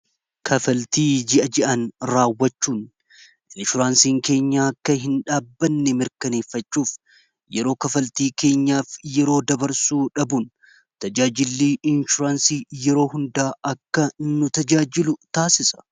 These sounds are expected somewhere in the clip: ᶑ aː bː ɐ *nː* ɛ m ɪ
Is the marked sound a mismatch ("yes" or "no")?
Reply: no